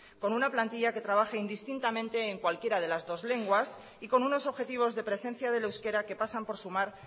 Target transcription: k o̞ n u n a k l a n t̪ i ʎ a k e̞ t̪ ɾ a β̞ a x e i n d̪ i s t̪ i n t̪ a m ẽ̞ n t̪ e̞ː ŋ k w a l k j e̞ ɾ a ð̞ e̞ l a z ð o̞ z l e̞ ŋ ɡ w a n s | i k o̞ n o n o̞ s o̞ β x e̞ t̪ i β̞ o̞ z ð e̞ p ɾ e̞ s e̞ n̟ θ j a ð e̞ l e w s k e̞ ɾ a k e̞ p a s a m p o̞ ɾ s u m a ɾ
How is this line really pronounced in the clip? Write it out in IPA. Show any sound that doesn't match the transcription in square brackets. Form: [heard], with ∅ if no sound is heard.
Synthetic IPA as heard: k o̞ n u n a [p] l a n t̪ i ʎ a k e̞ t̪ ɾ a β̞ a x e i n d̪ i s t̪ i n t̪ a m ẽ̞ n t̪ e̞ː ŋ k w a l k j e̞ ɾ a ð̞ e̞ l a z ð o̞ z l e̞ ŋ ɡ w a [∅] s | i k o̞ n [u] n o̞ s o̞ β x e̞ t̪ i β̞ o̞ z ð e̞ p ɾ e̞ s e̞ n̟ θ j a ð e̞ l e w s k e̞ ɾ a k e̞ p a s a m p o̞ ɾ s u m a ɾ